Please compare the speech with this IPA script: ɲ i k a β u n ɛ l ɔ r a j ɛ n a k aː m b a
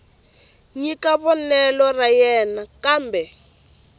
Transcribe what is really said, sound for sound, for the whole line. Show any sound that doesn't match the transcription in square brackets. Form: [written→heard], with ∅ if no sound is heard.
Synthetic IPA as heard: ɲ i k a β [u→ɔ] n ɛ l ɔ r a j ɛ n a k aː m b [a→ɛ]